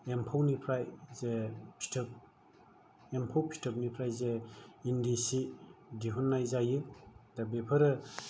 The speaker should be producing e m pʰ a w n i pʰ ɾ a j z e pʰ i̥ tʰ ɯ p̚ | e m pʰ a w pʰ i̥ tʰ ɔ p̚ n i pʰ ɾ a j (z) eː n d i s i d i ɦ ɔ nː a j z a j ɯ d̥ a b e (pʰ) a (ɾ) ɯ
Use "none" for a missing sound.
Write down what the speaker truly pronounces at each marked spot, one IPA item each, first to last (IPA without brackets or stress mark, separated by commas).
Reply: z, pʰ, ɾ